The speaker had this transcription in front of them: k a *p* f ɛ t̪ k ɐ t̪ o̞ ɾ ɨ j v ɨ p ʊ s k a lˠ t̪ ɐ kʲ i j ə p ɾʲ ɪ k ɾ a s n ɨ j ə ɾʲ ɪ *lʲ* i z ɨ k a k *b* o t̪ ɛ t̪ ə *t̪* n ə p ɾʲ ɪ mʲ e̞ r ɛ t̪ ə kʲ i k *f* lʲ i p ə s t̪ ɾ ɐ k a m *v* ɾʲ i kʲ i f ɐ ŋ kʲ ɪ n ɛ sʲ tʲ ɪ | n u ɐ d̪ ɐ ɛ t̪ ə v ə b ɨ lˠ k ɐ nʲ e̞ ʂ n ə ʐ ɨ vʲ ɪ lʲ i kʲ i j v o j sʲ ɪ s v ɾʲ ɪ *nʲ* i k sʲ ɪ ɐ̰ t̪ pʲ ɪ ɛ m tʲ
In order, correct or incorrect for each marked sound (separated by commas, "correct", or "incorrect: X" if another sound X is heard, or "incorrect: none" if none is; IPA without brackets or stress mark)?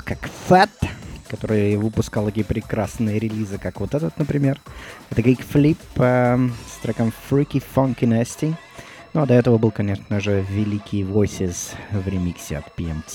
incorrect: k, correct, incorrect: v, correct, correct, incorrect: f, incorrect: mʲ